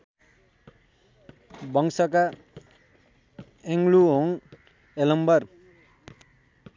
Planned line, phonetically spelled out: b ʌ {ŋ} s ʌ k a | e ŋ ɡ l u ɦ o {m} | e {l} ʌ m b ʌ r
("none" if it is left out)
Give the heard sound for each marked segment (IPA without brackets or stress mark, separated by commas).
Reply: ŋ, ŋ, l